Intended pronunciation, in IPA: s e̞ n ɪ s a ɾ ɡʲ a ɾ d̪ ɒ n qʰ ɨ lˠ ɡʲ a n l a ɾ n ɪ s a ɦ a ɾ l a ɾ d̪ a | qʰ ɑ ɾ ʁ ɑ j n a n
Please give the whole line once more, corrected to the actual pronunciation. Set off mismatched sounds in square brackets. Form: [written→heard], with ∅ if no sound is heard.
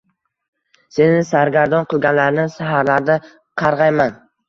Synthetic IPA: s e̞ n ɪ s a ɾ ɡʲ a ɾ d̪ ɒ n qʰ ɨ lˠ ɡʲ a n l a ɾ n ɪ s a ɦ a ɾ l a ɾ d̪ a | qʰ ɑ ɾ ʁ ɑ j [n→m] a n